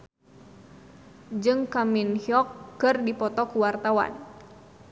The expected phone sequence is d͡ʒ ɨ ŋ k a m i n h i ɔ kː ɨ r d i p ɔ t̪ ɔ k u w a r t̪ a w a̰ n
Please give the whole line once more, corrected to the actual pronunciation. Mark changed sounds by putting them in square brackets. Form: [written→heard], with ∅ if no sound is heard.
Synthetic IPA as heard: d͡ʒ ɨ ŋ k a m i n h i ɔ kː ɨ r d i p ɔ t̪ ɔ k u w a r t̪ a w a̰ n